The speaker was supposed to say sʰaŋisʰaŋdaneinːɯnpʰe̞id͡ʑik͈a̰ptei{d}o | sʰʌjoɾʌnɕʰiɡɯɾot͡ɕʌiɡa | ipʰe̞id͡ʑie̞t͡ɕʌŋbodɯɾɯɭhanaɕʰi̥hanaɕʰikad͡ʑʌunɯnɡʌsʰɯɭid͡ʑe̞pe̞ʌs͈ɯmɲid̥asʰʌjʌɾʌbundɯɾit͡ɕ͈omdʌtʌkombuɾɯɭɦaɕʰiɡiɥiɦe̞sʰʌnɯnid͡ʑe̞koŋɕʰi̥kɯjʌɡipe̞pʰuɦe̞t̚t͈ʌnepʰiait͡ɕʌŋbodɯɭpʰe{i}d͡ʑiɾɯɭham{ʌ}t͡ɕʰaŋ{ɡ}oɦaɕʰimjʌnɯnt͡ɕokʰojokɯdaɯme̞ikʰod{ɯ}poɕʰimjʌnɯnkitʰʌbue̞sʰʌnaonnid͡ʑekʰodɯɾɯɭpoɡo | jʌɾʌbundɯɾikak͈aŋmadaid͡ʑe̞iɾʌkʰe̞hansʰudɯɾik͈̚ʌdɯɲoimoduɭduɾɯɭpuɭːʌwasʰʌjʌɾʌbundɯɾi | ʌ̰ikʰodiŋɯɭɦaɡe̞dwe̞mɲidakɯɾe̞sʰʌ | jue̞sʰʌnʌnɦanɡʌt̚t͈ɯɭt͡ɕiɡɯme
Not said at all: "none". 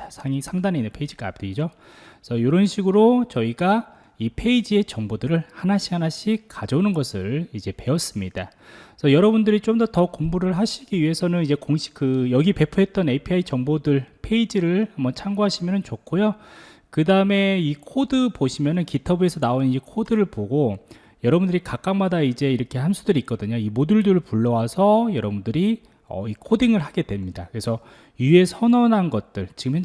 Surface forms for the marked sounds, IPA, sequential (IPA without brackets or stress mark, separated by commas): d͡ʑ, i, ʌ, ɡ, ɯ